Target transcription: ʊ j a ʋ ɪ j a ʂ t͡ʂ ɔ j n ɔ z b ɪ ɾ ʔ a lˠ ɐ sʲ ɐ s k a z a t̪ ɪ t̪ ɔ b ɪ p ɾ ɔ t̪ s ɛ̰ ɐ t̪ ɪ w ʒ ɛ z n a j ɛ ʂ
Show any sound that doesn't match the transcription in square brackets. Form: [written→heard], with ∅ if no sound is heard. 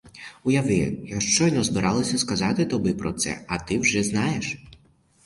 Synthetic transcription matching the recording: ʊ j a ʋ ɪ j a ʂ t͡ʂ ɔ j n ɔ z b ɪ ɾ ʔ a lˠ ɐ sʲ ɐ s k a z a t̪ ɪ t̪ ɔ b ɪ p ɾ ɔ t̪ s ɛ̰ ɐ t̪ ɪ w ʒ ɛ z n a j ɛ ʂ